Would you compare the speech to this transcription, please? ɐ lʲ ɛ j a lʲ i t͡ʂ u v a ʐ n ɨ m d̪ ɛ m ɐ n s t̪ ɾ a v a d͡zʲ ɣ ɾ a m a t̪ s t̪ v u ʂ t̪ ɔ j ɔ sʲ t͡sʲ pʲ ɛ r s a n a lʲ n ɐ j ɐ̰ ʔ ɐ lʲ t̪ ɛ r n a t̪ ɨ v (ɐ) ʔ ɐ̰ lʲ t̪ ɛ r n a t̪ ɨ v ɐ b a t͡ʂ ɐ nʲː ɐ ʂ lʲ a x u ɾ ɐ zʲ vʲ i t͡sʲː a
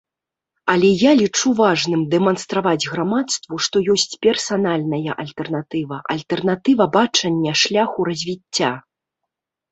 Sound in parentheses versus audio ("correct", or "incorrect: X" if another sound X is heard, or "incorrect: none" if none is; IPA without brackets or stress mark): correct